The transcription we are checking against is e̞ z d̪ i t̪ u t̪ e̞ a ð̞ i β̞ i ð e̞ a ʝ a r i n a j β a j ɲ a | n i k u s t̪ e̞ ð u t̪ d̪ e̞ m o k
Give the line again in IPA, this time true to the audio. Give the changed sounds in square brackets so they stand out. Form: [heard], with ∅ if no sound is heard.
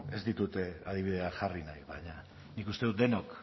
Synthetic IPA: e̞ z d̪ i t̪ u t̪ e̞ a ð̞ i β̞ i ð e̞ a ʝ a r i n a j β a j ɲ a | n i k u s t̪ e̞ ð u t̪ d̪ e̞ [n] o k